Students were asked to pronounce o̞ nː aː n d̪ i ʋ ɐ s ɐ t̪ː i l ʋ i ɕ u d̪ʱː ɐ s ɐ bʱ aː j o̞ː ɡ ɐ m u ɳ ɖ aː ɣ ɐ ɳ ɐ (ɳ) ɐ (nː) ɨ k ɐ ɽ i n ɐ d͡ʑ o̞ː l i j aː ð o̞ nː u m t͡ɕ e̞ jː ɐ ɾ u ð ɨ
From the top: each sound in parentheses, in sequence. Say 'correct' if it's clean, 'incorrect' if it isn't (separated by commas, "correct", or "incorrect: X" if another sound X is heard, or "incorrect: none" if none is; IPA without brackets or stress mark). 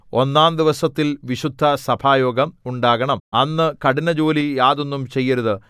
incorrect: m, correct